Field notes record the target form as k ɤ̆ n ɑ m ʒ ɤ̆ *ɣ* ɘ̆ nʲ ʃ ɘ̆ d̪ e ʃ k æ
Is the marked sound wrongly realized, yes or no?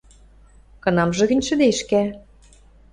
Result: no